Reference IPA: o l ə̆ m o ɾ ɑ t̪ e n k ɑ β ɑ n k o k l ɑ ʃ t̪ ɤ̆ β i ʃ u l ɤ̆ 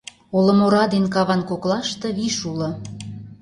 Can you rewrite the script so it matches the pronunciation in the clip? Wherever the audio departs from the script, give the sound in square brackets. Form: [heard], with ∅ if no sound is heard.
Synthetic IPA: o l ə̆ m o ɾ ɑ [d̪] e n k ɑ β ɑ n k o k l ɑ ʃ t̪ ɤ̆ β i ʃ u l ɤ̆